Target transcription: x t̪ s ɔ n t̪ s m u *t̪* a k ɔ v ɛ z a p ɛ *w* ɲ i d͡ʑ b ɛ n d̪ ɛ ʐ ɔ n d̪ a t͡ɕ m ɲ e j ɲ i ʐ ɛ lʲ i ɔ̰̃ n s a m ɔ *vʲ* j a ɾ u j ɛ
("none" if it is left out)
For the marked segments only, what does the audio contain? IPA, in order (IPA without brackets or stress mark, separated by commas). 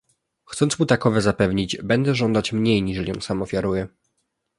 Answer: t̪, v, fʲ